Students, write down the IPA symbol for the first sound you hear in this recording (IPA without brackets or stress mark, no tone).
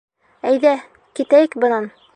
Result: æ